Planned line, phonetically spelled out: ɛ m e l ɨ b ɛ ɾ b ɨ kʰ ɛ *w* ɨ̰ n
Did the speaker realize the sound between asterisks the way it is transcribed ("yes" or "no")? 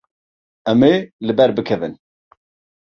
no